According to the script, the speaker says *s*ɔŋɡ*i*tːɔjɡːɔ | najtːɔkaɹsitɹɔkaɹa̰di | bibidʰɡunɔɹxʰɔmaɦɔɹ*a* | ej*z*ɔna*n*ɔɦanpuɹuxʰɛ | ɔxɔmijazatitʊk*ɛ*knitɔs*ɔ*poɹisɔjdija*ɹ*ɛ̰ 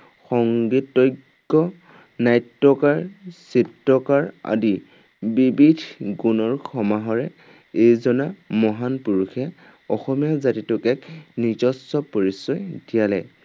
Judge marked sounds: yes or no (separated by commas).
no, yes, no, yes, no, yes, yes, no